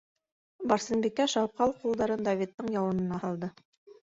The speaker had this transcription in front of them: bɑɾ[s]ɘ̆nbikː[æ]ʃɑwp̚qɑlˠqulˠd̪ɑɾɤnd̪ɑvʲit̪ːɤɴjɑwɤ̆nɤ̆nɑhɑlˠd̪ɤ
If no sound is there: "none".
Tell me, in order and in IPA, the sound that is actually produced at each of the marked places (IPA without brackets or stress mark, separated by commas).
s, æ